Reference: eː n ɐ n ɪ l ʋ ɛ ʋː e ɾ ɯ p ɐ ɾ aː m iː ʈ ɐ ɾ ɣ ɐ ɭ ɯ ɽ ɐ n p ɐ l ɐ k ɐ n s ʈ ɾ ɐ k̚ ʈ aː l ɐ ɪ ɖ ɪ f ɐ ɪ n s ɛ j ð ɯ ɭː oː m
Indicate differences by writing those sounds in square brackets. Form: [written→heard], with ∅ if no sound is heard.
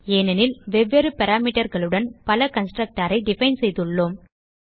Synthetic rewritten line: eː n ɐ n ɪ l ʋ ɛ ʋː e ɾ ɯ p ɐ ɾ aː m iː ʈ ɐ ɾ ɣ ɐ ɭ ɯ ɽ ɐ n p ɐ l ɐ k ɐ n s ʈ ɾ ɐ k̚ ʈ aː [l→ɾ] ɐ ɪ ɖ ɪ f ɐ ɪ n s ɛ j ð ɯ ɭː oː m